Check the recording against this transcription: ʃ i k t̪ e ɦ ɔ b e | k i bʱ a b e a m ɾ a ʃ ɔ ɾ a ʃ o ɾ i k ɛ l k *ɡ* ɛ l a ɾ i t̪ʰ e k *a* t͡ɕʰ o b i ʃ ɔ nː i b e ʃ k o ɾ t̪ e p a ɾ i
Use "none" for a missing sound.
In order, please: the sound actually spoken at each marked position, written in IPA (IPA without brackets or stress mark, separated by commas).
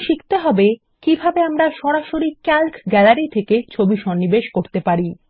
ɡ, e